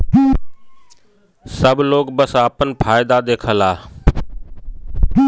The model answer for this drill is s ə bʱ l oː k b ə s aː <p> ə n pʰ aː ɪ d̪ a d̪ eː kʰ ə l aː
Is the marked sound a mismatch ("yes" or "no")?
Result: no